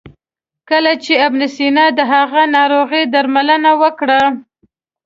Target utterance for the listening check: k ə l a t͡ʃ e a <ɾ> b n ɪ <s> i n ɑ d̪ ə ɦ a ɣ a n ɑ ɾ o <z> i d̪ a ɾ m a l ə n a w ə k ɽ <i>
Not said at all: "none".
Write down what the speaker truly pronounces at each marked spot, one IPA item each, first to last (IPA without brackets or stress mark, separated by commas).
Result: none, s, ɣ, a